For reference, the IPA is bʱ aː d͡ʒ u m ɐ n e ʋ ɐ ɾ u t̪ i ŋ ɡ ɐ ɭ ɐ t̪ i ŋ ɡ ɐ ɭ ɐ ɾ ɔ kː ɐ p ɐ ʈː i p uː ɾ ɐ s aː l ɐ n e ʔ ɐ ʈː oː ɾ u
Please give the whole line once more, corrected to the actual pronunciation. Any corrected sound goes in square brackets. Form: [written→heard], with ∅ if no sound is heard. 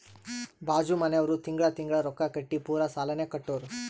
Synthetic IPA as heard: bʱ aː d͡ʒ u m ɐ n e ʋ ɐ ɾ u t̪ i ŋ ɡ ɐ ɭ ɐ t̪ i ŋ ɡ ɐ ɭ ɐ ɾ ɔ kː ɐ [p→k] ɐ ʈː i p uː ɾ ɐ s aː l ɐ n e [ʔ→k] ɐ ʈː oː ɾ u

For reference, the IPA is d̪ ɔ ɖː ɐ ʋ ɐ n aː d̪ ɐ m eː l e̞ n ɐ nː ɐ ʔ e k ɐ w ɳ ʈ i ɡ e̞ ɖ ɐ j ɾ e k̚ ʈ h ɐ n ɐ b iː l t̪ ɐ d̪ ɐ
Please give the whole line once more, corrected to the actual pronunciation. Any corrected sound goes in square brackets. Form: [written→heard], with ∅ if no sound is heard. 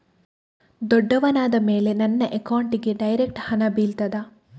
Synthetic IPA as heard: d̪ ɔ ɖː ɐ ʋ ɐ n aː d̪ ɐ m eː l e̞ n ɐ nː ɐ ʔ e k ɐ w ɳ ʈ i ɡ e̞ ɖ ɐ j ɾ e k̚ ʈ h ɐ n ɐ b iː l t̪ ɐ d̪ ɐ

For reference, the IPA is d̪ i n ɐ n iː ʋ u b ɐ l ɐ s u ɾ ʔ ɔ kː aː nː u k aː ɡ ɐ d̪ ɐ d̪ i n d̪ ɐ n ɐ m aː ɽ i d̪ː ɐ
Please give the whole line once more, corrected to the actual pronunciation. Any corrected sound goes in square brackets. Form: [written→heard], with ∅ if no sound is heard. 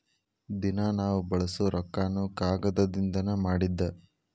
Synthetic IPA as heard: d̪ i n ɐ n [iː→aː] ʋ u b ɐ [l→ɭ] ɐ s u ɾ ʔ ɔ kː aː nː u k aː ɡ ɐ d̪ ɐ d̪ i n d̪ ɐ n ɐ m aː ɽ i d̪ː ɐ

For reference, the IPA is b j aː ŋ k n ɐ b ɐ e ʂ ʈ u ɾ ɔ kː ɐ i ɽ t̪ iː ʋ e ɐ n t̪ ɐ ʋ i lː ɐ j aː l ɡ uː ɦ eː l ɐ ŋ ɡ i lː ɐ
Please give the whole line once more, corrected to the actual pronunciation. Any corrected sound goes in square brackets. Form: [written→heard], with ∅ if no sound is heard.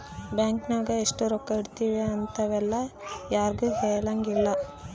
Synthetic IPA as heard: b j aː ŋ k n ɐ [b→ɡ] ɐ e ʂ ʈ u ɾ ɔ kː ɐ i ɽ t̪ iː ʋ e ɐ n t̪ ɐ ʋ [i→ɛ] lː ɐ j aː [l→ɾ] ɡ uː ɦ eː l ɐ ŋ ɡ i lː ɐ

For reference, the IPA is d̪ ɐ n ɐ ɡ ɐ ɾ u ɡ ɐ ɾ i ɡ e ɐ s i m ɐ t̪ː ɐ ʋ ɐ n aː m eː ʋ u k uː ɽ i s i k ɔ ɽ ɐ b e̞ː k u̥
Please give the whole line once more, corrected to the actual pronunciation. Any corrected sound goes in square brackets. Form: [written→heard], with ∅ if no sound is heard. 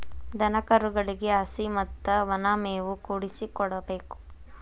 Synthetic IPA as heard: d̪ ɐ n ɐ [ɡ→k] ɐ ɾ u ɡ ɐ [ɾ→ɭ] i ɡ e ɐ s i m ɐ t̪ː ɐ ʋ ɐ n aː m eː ʋ u k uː ɽ i s i k ɔ ɽ ɐ b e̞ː k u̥

